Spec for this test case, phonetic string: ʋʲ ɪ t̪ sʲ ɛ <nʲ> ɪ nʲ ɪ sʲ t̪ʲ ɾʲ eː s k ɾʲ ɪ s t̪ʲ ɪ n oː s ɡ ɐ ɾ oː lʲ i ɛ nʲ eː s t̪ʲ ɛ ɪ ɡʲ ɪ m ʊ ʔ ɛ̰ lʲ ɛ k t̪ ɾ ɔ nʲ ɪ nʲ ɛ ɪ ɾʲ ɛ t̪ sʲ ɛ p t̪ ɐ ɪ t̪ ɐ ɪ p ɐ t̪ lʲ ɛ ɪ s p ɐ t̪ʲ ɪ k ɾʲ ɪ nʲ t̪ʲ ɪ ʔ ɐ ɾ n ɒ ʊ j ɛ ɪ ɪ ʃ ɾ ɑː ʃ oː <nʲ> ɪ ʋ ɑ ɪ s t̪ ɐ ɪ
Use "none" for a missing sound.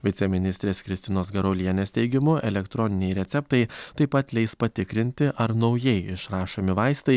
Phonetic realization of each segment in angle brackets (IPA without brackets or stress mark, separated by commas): mʲ, mʲ